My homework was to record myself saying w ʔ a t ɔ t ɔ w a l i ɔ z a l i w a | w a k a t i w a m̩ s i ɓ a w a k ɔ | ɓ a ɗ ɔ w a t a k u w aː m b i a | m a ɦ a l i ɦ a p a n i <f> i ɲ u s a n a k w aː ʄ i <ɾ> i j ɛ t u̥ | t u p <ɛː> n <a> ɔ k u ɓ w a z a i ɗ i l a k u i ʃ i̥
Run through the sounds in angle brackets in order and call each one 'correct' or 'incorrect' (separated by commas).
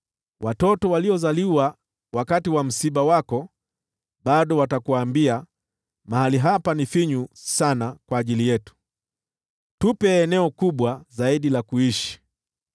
correct, incorrect, correct, incorrect